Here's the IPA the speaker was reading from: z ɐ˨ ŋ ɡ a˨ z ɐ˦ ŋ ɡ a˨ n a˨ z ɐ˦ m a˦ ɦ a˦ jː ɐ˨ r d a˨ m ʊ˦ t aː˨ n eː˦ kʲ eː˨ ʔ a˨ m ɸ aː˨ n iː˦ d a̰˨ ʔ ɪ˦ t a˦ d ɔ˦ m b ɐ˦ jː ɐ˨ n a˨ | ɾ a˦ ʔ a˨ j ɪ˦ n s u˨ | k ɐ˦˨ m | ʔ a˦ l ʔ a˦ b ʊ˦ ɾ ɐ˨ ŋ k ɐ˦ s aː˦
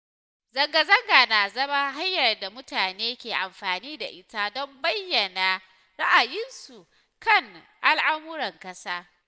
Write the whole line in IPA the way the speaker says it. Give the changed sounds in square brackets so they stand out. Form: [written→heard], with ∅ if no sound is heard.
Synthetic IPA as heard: z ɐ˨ ŋ ɡ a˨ z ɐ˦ ŋ ɡ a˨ n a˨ z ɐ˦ m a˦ ɦ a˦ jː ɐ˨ r d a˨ m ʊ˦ t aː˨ n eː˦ kʲ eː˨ ʔ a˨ m ɸ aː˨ n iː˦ d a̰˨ ʔ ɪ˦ t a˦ d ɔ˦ m b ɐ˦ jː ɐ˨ n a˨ | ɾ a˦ ʔ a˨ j ɪ˦ n s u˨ | k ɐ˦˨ [m→ŋ] | ʔ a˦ l ʔ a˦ [b→m] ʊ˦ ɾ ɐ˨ ŋ k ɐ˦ s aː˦